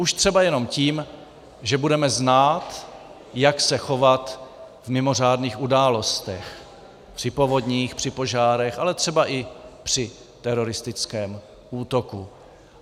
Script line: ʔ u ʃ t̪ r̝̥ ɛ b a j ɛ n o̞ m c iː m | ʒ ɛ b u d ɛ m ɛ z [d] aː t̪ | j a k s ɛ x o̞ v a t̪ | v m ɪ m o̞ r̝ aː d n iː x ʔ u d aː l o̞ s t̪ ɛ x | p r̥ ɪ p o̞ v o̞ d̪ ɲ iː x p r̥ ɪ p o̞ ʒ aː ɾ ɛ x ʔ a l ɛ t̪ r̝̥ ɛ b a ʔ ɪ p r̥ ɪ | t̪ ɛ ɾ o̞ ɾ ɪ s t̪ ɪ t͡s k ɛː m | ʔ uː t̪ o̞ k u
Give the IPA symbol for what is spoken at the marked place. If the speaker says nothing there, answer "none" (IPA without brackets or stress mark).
n